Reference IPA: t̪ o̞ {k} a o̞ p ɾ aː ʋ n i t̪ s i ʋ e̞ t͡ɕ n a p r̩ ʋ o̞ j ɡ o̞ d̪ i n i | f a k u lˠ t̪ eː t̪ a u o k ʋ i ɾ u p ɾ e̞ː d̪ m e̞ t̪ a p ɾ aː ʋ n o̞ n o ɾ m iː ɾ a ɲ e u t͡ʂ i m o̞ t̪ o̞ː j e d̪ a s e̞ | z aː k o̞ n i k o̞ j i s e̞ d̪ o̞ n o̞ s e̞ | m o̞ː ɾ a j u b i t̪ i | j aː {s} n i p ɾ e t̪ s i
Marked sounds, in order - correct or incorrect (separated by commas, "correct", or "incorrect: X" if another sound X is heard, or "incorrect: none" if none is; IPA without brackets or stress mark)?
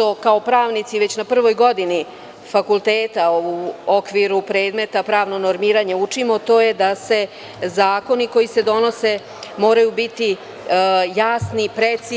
correct, correct